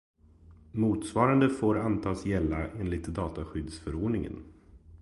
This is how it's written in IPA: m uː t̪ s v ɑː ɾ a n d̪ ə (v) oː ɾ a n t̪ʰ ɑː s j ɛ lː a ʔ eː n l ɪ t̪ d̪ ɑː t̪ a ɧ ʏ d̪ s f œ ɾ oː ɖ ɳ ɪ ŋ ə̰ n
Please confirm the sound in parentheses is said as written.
no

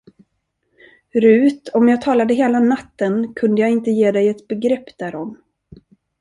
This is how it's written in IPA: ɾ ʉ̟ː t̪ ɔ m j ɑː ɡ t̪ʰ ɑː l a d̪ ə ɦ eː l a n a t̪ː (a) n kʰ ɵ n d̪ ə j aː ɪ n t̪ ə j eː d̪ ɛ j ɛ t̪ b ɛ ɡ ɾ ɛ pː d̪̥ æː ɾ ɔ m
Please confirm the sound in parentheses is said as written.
no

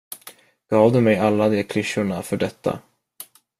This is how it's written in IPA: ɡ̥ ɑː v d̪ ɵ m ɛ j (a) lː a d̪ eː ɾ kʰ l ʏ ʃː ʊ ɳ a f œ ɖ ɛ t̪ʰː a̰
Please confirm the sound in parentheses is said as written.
yes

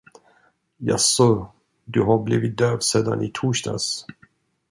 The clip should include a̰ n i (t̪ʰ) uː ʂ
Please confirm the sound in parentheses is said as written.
yes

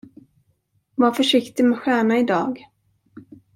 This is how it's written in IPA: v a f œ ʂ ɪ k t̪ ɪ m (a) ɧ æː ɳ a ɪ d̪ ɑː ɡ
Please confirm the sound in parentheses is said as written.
no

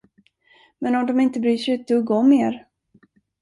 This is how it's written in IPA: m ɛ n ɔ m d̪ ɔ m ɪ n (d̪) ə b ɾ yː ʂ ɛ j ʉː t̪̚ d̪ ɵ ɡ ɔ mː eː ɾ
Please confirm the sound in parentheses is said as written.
no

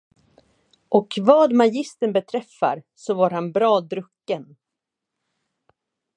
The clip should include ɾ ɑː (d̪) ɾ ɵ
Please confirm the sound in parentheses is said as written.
yes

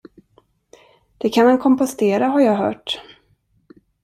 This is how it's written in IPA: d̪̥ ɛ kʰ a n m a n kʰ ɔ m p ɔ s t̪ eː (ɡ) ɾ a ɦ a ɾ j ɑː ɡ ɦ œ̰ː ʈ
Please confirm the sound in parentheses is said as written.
no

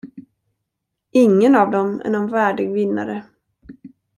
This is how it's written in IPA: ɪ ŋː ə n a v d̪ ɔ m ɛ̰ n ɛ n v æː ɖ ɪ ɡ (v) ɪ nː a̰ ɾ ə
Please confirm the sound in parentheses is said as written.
yes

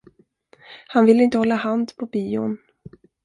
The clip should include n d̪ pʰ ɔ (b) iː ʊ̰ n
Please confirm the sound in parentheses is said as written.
yes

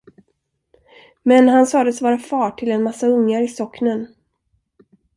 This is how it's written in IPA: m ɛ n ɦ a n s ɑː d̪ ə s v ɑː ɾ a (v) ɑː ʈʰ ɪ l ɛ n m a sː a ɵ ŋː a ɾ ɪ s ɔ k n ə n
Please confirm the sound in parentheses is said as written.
no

